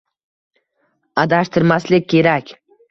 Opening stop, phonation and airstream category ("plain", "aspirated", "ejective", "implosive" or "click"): plain